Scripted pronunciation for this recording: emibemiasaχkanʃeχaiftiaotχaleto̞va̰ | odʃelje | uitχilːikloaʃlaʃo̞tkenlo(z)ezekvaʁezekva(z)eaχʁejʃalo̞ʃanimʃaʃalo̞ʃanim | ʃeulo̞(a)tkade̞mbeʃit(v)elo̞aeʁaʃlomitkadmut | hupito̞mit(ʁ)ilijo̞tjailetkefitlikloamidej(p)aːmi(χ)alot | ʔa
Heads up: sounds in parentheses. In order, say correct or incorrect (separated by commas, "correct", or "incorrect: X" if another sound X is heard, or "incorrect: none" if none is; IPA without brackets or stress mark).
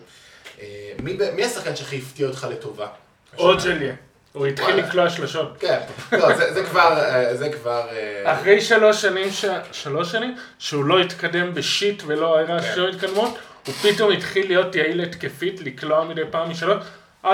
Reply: correct, incorrect: ʁ, incorrect: i, correct, incorrect: χ, correct, incorrect: ʃ